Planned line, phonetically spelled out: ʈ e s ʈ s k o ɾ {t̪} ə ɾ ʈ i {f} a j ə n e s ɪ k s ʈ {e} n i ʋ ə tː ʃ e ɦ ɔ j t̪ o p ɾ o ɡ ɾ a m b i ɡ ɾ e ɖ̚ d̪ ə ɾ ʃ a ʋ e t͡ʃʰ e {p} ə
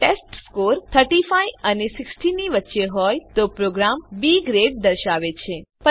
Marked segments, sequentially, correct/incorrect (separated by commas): incorrect, correct, incorrect, correct